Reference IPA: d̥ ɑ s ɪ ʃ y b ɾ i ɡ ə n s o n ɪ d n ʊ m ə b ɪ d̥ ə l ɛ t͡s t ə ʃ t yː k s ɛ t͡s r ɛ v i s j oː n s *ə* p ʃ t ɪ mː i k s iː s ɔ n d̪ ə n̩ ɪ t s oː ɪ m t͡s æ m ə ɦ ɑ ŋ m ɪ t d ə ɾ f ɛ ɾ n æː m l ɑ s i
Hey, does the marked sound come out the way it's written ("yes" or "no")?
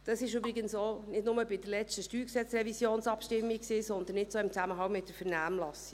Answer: no